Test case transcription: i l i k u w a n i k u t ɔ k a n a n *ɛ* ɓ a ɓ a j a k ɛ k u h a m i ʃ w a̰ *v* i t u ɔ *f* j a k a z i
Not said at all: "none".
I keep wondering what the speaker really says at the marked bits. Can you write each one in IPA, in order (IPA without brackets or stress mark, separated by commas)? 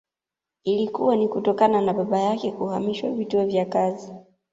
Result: a, v, v